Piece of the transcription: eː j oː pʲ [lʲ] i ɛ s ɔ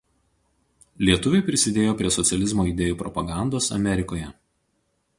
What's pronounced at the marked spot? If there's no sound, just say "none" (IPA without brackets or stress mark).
ɾʲ